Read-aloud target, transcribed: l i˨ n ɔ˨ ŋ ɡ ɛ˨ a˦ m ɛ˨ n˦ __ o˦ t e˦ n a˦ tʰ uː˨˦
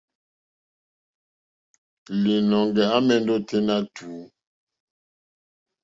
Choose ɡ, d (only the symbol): d